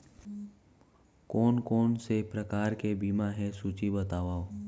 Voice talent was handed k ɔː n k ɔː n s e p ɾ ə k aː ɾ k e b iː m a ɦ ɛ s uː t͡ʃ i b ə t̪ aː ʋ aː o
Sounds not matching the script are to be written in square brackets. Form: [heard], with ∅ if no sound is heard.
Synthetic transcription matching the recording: k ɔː n k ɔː n s e p ɾ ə k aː ɾ k e b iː m a ɦ ɛ s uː t͡ʃ i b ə t̪ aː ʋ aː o